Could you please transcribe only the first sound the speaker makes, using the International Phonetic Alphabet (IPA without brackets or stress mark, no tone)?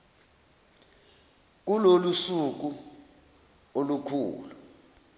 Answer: k̬